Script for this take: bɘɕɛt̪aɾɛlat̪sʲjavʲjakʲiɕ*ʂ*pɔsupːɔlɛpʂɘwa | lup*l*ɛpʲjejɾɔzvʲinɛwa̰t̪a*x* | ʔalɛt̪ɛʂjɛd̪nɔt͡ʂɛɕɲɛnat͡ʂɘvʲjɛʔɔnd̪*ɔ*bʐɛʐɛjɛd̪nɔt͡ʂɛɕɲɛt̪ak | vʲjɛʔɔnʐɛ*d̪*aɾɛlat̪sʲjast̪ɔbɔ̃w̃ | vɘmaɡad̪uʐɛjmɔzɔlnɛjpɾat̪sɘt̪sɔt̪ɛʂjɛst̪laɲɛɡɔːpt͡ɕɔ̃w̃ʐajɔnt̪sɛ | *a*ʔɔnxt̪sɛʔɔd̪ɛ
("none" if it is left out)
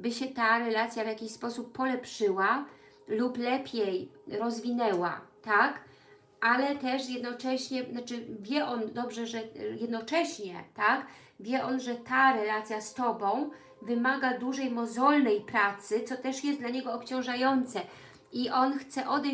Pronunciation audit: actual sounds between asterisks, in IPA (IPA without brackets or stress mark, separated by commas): s, l, k, ɔ, t̪, i